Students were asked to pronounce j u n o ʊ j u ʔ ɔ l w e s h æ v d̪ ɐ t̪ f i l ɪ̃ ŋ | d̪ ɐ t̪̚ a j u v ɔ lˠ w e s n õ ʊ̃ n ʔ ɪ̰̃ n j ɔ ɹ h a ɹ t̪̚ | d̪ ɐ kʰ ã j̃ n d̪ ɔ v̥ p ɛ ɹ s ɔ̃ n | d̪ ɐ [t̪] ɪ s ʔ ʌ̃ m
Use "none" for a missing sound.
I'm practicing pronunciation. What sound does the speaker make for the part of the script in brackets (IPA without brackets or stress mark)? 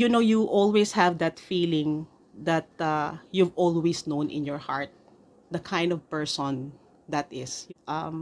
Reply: t̪